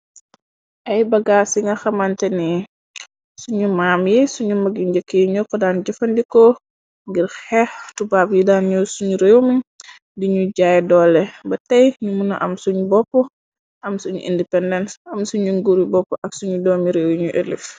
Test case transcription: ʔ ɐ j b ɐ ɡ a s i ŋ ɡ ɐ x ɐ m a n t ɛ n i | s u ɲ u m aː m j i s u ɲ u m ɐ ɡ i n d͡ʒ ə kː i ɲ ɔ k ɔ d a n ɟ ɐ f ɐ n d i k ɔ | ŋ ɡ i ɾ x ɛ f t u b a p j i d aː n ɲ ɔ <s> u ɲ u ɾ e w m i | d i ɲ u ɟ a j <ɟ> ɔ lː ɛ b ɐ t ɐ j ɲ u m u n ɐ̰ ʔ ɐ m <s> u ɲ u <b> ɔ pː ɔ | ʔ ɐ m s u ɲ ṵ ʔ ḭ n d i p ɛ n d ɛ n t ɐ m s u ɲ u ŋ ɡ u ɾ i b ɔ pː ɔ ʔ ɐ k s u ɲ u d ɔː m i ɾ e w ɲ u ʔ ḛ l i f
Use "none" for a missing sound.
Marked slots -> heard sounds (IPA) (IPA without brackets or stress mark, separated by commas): s, d, s, b